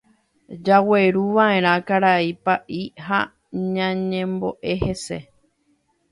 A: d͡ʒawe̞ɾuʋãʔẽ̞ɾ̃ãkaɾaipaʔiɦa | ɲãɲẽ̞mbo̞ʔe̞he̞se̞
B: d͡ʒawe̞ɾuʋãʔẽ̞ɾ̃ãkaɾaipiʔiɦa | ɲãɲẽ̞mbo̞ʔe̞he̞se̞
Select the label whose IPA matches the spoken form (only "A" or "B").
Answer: A